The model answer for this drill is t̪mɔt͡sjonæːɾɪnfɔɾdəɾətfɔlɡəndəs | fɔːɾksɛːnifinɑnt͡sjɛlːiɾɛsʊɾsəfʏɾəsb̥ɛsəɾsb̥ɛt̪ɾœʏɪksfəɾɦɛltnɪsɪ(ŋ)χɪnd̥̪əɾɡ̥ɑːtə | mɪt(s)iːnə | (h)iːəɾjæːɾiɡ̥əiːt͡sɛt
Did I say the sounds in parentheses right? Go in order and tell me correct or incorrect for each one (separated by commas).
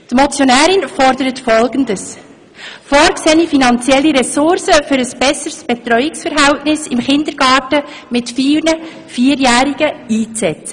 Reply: incorrect, incorrect, incorrect